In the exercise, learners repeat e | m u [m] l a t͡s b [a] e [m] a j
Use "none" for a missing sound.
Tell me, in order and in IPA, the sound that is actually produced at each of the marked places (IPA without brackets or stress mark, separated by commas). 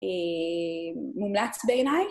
m, e, n